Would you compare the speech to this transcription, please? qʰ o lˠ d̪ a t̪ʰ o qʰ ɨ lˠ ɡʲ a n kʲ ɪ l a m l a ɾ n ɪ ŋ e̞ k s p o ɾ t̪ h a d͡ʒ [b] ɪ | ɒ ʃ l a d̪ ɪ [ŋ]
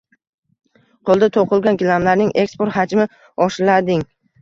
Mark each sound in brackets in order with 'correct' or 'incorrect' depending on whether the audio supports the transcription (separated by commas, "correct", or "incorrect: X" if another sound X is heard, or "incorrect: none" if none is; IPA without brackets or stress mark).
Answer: incorrect: m, correct